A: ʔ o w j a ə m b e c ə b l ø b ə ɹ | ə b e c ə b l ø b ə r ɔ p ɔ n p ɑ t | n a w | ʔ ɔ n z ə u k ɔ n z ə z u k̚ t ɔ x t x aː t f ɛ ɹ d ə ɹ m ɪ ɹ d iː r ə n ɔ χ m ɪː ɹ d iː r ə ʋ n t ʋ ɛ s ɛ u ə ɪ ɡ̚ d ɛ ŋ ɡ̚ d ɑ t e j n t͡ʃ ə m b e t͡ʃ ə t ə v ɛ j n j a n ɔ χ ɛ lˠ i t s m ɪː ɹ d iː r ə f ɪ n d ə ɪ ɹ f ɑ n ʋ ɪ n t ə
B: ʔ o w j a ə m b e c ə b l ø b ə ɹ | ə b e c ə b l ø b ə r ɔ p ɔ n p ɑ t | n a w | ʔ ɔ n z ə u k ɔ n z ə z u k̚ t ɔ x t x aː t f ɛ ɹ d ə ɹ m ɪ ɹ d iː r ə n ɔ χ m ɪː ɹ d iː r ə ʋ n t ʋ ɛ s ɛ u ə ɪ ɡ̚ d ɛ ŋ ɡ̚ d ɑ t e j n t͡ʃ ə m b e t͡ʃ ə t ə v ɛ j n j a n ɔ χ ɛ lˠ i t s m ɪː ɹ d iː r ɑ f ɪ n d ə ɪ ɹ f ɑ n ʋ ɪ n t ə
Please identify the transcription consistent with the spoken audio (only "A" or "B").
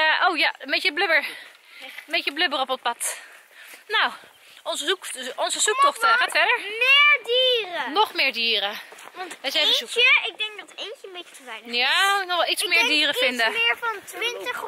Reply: A